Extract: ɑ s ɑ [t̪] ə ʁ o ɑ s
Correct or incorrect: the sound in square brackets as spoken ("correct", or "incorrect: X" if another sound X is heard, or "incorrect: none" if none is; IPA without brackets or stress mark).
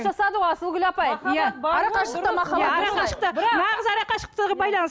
incorrect: d̪